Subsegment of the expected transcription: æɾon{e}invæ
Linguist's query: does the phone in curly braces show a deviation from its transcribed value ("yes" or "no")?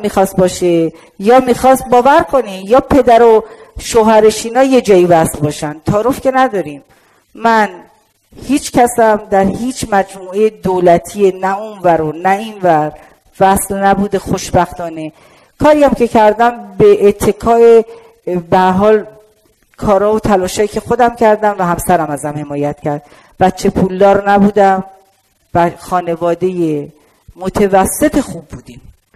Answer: yes